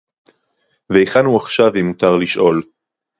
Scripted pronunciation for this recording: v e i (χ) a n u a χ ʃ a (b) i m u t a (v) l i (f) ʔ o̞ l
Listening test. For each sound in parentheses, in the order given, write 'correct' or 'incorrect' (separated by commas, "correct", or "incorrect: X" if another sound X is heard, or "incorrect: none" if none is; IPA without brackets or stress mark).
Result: correct, incorrect: v, incorrect: ʁ, incorrect: ʃ